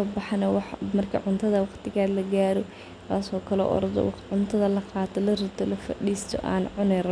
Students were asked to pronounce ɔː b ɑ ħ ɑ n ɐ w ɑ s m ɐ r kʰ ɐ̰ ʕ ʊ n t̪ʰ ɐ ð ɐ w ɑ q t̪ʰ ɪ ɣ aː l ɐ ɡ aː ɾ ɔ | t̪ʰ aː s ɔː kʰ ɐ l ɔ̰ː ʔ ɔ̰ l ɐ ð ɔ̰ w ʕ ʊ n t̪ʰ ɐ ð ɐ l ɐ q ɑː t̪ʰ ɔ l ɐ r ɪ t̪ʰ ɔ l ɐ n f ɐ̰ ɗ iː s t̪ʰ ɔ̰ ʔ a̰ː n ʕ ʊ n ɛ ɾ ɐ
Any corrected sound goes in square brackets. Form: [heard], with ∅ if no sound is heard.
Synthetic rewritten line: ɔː b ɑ ħ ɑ n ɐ w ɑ [ħ] m ɐ r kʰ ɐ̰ ʕ ʊ n t̪ʰ ɐ ð ɐ w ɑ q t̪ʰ ɪ ɣ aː l ɐ ɡ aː ɾ ɔ | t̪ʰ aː s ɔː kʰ ɐ l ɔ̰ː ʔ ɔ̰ [ɾ] ɐ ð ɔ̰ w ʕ ʊ n t̪ʰ ɐ ð ɐ l ɐ q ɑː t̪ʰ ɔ l ɐ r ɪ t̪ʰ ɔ l ɐ [∅] f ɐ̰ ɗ iː s t̪ʰ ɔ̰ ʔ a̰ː n ʕ ʊ n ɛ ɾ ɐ

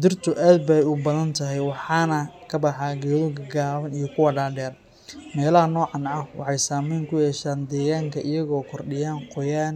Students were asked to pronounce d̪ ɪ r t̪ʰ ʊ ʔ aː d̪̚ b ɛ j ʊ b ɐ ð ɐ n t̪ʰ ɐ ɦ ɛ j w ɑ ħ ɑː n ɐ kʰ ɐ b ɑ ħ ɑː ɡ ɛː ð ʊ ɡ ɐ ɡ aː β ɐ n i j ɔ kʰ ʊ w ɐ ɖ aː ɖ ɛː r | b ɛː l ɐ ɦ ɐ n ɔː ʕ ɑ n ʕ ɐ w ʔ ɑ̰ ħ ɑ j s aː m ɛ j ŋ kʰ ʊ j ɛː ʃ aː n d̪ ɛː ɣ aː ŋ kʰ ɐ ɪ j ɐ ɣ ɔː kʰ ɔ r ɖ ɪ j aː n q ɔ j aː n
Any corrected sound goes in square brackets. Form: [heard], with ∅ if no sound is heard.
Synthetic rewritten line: d̪ ɪ r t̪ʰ ʊ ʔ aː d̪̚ b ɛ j ʊ b ɐ ð ɐ n t̪ʰ ɐ ɦ ɛ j w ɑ ħ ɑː n ɐ kʰ ɐ b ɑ ħ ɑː ɡ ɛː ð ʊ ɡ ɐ ɡ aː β ɐ n i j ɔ kʰ ʊ w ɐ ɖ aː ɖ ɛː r | [m] ɛː l ɐ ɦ ɐ n ɔː ʕ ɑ n ʕ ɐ w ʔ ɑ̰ ħ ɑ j s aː m ɛ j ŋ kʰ ʊ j ɛː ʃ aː n d̪ ɛː ɣ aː ŋ kʰ ɐ ɪ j ɐ ɣ ɔː kʰ ɔ r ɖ ɪ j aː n q ɔ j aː n

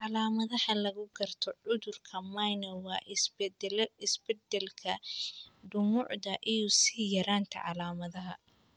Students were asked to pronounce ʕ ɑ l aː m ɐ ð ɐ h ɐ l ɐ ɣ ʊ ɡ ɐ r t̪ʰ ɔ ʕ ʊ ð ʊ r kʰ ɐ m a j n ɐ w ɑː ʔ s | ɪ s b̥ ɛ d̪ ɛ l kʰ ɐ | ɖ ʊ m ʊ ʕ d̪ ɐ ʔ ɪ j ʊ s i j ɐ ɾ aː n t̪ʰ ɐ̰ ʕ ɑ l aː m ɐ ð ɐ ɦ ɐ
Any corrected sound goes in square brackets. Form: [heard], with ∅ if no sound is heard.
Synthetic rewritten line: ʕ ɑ l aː m ɐ ð ɐ h ɐ l ɐ ɣ ʊ ɡ ɐ r t̪ʰ ɔ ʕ ʊ ð ʊ r kʰ ɐ m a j n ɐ w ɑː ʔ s | ɪ s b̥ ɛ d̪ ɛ l kʰ ɐ | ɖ ʊ m ʊ ʕ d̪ ɐ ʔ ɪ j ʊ s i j ɐ ɾ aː n t̪ʰ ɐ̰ ʕ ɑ l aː m ɐ ð ɐ ɦ ɐ

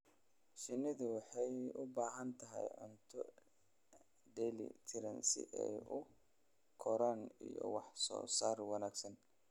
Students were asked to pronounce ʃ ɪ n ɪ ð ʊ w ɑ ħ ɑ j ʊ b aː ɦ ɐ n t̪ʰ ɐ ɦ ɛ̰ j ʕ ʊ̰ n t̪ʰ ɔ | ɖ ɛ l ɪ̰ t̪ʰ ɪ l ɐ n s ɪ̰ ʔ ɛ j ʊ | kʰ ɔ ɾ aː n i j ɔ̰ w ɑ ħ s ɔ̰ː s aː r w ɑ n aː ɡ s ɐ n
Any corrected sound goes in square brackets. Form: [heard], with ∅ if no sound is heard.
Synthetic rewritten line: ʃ ɪ n ɪ ð ʊ w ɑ ħ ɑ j ʊ b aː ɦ ɐ n t̪ʰ ɐ ɦ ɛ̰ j ʕ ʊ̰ n t̪ʰ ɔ | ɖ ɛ l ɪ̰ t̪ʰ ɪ [ɾ] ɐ n s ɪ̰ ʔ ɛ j ʊ | kʰ ɔ ɾ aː n i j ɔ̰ w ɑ ħ s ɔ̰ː s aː r w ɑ n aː ɡ s ɐ n

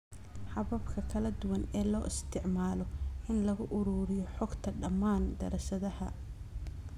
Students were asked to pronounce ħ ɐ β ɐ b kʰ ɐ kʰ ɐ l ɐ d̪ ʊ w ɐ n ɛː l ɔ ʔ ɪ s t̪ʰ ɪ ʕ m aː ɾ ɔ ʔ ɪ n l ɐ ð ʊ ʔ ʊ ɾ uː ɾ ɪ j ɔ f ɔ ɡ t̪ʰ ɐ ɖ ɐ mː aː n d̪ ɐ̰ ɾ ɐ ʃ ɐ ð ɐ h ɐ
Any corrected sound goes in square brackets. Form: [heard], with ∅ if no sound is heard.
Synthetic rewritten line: ħ [ɑ] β ɐ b kʰ ɐ kʰ ɐ l ɐ d̪ ʊ w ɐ n ɛː l [ɔː] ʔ ɪ s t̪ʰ ɪ ʕ m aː [l] ɔ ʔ ɪ n l ɐ [ɣ] ʊ ʔ ʊ ɾ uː ɾ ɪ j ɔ [ħ] ɔ ɡ t̪ʰ ɐ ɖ ɐ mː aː n d̪ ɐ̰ ɾ ɐ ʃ ɐ ð ɐ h ɐ

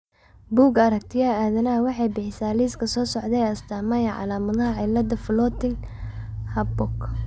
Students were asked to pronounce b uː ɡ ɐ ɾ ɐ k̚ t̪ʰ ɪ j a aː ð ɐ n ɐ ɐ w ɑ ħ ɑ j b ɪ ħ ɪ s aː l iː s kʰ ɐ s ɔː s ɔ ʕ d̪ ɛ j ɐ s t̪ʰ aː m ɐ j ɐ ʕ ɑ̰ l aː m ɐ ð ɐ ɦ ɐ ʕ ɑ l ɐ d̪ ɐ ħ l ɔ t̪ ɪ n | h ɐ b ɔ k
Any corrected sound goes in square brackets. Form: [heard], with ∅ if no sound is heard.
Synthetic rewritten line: b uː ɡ ɐ ɾ ɐ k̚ t̪ʰ ɪ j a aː ð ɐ n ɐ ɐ w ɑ ħ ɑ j b ɪ ħ ɪ s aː l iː s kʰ ɐ s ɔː s ɔ ʕ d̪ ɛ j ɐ s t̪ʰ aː m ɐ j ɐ ʕ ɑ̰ l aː m ɐ ð ɐ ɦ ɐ ʕ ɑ l ɐ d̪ ɐ [f] l ɔ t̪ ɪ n | h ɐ b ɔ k

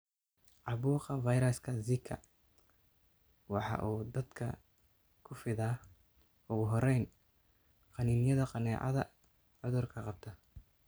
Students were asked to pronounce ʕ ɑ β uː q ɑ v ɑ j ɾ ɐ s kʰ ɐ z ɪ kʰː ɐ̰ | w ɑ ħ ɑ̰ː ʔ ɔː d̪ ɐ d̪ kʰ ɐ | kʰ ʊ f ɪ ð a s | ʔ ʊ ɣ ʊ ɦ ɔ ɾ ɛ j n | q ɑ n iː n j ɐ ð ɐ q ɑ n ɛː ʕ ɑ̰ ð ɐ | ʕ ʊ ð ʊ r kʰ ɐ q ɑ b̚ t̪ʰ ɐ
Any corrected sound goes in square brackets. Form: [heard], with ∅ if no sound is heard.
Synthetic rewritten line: ʕ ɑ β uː q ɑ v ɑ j ɾ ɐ s kʰ ɐ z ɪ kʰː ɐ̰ | w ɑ ħ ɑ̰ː ʔ [uː] d̪ ɐ d̪ kʰ ɐ | kʰ ʊ f ɪ ð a [∅] | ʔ ʊ ɣ ʊ ɦ ɔ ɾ ɛ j n | q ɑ n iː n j ɐ ð ɐ q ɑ n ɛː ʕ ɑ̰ ð ɐ | ʕ ʊ ð ʊ r kʰ ɐ q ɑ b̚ t̪ʰ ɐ

